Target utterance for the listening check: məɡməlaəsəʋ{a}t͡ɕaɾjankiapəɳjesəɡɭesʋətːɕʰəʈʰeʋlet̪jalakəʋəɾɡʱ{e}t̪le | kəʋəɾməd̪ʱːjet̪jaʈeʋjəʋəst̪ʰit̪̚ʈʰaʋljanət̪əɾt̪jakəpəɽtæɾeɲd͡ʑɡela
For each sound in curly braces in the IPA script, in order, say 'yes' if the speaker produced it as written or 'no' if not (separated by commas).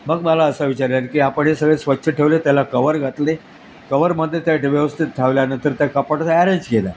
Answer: no, no